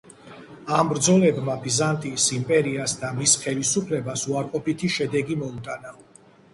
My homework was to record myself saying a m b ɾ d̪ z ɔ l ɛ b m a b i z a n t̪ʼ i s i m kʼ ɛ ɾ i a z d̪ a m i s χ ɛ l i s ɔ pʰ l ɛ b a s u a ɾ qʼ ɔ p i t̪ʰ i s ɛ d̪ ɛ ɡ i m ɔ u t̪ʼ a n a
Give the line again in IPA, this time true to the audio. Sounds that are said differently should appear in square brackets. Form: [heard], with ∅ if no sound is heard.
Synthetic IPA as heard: a m b ɾ d̪ z ɔ l ɛ b m a b i z a n t̪ʼ i s i m [pʼ] ɛ ɾ i a [s] d̪ a m i s χ ɛ l i s [u] pʰ l ɛ b a s u a ɾ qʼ ɔ p i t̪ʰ i [ʃ] ɛ d̪ ɛ ɡ i m ɔ u t̪ʼ a n a